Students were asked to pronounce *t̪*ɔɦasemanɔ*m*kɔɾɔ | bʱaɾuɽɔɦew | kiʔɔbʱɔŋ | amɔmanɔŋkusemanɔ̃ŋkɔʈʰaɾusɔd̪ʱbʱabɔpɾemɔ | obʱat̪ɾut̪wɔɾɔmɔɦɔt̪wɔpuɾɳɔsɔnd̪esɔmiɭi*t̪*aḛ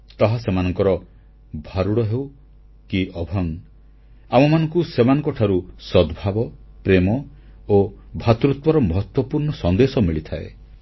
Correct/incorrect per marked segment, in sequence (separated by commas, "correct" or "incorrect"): correct, incorrect, incorrect